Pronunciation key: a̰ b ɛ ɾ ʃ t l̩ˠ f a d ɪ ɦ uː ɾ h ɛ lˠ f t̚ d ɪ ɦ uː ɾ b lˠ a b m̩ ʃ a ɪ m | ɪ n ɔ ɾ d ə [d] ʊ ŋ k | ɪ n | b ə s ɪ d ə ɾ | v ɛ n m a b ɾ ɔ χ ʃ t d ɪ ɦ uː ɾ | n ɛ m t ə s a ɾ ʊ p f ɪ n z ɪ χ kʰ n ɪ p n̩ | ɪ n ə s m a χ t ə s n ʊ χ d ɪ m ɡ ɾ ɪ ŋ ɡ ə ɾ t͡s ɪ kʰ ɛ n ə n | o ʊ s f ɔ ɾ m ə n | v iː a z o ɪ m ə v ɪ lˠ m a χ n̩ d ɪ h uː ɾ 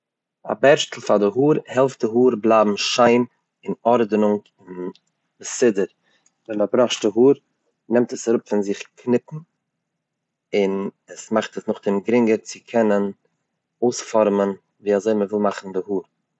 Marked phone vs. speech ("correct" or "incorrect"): incorrect